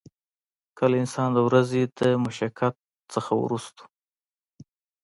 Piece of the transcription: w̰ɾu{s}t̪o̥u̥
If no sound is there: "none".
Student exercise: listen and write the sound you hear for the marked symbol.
s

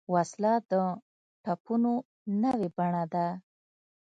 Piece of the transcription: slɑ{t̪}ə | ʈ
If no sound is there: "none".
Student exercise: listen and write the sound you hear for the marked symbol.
d̪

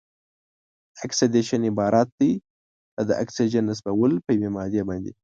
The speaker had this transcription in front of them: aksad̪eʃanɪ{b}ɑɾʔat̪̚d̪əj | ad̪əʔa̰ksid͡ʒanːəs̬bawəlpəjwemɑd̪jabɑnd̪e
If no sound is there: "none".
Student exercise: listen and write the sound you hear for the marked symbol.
b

